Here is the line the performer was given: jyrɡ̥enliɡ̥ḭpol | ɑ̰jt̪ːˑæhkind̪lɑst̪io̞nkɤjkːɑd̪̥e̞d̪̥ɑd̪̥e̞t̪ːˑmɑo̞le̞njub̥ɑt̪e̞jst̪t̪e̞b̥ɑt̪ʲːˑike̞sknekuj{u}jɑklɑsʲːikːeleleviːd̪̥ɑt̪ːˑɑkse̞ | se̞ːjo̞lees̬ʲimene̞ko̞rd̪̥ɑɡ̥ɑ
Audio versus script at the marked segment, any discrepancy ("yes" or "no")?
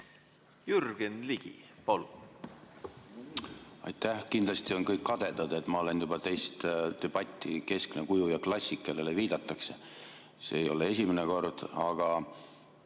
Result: no